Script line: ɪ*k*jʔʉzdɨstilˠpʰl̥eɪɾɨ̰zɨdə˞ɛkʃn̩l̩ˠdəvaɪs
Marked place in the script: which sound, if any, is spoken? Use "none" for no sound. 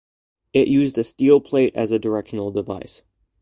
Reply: ʔ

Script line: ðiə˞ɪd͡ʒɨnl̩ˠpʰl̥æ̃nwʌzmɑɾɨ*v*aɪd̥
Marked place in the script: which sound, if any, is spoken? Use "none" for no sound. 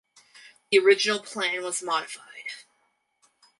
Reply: f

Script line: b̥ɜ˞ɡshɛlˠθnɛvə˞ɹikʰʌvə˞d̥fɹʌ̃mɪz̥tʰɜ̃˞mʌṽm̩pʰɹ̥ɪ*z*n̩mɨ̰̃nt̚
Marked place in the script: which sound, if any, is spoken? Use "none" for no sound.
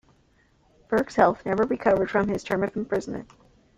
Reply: z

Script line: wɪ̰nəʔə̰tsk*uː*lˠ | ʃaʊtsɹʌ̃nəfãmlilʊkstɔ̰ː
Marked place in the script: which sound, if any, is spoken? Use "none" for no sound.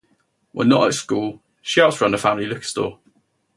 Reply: uː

